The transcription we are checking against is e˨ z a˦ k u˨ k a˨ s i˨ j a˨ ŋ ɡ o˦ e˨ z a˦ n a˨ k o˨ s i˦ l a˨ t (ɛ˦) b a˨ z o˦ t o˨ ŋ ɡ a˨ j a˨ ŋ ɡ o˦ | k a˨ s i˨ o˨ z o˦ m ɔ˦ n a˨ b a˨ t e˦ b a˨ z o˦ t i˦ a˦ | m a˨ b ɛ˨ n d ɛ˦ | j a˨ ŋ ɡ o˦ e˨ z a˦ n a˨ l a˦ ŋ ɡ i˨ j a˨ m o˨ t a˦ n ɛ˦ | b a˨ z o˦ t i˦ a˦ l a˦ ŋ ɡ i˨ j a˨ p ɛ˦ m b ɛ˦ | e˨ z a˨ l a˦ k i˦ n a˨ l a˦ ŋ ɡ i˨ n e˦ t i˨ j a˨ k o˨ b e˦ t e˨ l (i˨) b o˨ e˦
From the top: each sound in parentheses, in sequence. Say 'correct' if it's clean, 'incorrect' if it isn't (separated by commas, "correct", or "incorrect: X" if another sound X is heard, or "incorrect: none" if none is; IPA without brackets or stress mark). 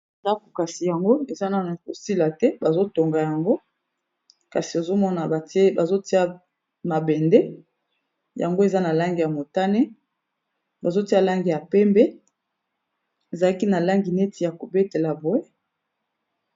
correct, incorrect: a˨